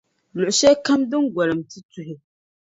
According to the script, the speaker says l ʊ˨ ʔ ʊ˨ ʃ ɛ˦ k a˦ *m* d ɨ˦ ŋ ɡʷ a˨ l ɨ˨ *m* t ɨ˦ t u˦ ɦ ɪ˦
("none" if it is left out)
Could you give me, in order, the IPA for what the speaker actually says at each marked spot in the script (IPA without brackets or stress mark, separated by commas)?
m, m